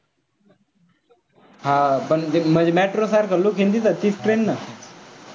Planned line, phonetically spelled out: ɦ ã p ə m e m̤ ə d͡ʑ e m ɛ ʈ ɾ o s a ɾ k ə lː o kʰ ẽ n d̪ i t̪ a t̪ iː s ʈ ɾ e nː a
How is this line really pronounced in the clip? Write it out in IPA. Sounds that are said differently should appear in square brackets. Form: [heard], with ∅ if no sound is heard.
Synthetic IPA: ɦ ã p ə [ɳ] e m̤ ə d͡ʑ e m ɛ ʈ ɾ o s a ɾ k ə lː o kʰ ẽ n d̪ i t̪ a t̪ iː s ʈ ɾ e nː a